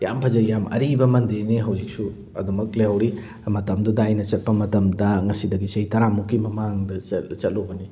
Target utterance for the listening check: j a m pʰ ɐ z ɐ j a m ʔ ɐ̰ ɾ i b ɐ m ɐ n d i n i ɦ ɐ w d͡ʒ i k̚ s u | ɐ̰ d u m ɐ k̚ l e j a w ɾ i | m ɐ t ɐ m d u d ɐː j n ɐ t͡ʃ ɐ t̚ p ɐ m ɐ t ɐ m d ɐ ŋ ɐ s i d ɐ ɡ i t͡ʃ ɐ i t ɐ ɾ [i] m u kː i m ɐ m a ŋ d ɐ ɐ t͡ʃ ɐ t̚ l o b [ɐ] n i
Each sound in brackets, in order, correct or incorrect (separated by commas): incorrect, correct